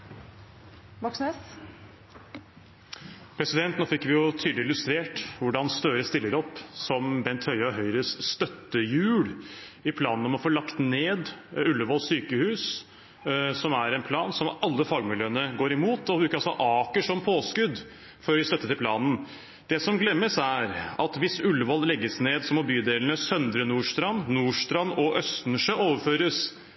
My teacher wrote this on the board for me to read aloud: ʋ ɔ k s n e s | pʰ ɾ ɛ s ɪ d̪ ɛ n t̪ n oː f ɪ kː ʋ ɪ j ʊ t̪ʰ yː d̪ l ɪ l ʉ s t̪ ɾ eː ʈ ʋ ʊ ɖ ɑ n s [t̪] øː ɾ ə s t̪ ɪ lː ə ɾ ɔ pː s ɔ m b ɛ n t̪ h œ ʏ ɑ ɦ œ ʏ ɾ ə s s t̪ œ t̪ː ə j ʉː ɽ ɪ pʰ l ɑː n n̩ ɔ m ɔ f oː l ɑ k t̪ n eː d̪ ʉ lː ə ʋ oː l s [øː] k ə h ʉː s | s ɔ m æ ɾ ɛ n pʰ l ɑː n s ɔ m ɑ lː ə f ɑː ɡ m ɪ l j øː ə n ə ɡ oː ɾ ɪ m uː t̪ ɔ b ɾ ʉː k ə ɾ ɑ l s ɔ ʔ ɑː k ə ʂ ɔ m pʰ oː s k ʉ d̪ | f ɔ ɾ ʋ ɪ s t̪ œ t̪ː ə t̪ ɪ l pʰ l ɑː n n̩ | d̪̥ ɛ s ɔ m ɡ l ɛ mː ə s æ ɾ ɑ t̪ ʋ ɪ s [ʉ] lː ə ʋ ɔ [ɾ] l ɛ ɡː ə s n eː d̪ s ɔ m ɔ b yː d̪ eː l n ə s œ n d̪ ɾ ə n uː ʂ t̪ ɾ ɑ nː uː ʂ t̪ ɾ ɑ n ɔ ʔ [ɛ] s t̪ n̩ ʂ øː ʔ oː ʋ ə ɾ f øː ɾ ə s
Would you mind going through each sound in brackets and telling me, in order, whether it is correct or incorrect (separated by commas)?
correct, incorrect, correct, incorrect, incorrect